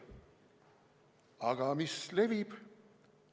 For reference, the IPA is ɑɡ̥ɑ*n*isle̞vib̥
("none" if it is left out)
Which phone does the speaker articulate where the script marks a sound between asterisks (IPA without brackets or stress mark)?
m